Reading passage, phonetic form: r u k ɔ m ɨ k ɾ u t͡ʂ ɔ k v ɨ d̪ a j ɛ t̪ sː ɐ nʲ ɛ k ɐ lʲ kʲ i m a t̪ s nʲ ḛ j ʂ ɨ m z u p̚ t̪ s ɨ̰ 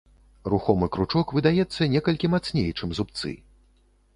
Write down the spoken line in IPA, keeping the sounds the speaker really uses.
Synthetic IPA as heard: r u x ɔ m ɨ k ɾ u t͡ʂ ɔ k v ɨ d̪ a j ɛ t̪ sː ɐ nʲ ɛ k ɐ lʲ kʲ i m a t̪ s nʲ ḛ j t͡ʂ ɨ m z u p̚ t̪ s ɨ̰